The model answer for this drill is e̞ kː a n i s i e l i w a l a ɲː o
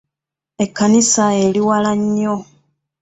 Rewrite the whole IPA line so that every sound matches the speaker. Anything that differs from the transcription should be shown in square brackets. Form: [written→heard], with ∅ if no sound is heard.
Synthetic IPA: e̞ kː a n i s [i→a] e l i w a l a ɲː o